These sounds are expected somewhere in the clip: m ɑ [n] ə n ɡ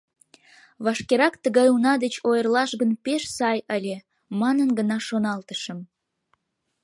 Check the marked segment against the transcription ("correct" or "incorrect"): correct